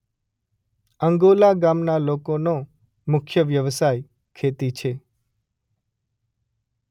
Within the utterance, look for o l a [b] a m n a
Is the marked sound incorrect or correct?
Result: incorrect